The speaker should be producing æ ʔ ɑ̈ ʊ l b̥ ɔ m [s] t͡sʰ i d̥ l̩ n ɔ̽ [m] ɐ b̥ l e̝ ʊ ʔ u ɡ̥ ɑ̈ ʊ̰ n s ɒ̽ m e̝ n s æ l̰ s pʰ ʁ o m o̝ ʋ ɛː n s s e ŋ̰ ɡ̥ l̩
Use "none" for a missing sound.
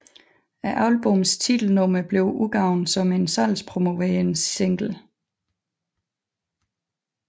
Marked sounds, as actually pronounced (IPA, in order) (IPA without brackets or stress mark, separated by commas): s, m